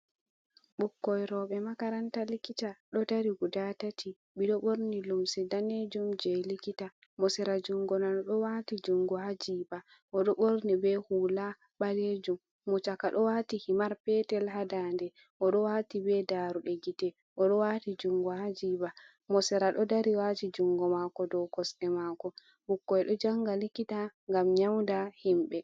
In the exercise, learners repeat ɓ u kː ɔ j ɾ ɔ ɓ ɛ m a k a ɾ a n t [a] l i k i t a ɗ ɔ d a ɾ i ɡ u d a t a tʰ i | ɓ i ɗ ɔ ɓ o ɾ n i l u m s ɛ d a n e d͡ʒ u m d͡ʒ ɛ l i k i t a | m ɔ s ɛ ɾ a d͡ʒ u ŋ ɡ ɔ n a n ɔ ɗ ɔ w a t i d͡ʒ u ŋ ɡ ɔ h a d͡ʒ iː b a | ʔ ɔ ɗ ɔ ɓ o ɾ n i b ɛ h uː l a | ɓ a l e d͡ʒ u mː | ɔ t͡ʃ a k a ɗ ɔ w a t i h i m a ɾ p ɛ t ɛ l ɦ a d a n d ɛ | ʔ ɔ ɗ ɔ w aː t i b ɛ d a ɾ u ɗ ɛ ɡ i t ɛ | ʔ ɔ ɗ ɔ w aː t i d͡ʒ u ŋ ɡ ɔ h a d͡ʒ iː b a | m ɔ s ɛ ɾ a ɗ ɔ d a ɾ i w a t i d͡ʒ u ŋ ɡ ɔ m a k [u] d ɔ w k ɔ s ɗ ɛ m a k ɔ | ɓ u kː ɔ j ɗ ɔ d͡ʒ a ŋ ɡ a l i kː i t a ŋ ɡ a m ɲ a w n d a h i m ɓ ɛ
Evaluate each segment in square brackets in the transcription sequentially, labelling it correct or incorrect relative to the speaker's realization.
correct, incorrect

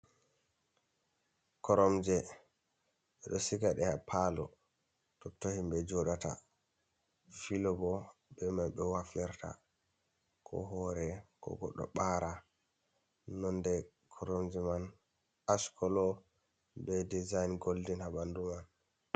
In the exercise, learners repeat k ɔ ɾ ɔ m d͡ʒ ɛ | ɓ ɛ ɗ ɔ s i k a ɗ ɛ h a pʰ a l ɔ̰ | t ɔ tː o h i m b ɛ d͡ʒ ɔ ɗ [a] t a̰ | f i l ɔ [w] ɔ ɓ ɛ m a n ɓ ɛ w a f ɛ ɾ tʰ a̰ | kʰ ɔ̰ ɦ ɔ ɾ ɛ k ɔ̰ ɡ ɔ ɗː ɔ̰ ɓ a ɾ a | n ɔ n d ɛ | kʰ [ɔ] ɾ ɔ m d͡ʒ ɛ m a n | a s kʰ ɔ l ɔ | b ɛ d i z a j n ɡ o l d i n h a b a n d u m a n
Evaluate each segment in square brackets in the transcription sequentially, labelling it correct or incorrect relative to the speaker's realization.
correct, incorrect, correct

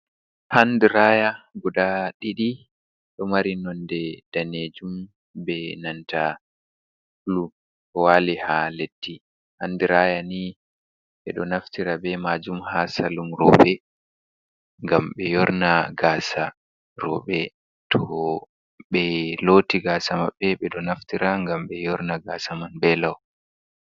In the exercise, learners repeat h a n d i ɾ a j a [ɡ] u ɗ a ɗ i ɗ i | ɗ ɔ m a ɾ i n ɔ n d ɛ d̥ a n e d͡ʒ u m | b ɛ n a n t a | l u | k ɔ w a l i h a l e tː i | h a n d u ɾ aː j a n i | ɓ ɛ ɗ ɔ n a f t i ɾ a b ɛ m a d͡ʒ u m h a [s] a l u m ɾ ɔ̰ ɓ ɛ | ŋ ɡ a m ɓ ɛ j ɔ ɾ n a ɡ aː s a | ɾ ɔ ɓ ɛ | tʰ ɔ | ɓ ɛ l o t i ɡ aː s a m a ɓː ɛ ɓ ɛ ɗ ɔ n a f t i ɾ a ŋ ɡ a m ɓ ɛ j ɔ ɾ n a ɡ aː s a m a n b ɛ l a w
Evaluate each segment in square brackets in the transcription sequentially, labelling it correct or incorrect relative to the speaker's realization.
correct, correct

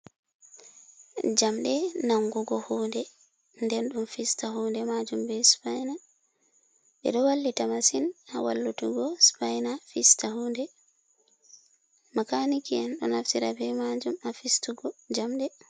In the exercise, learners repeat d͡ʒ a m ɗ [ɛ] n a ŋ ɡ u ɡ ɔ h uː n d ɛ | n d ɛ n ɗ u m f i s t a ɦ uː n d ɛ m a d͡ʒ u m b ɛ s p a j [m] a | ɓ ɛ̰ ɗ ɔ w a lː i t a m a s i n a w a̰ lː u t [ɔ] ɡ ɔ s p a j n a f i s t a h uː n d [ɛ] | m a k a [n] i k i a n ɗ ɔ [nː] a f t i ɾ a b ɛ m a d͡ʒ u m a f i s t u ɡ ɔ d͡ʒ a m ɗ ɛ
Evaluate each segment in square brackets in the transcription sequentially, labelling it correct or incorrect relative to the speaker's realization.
correct, incorrect, incorrect, correct, correct, incorrect

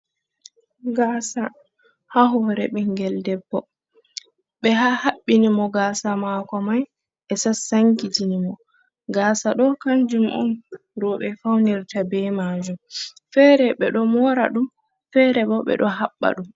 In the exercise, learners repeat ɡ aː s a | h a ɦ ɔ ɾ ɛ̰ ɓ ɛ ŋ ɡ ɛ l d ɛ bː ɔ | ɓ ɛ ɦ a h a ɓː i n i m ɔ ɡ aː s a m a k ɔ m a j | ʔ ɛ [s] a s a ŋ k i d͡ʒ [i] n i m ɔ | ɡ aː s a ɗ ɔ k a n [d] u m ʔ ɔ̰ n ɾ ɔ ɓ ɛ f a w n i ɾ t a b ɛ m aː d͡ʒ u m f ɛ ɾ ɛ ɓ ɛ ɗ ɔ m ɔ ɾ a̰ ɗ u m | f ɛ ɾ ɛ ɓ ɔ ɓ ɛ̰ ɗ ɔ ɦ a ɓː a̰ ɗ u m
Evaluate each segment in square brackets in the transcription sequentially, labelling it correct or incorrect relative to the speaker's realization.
correct, correct, incorrect

